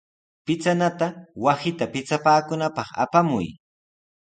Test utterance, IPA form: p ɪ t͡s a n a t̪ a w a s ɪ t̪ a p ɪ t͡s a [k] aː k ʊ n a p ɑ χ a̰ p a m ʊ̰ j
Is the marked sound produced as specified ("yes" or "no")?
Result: no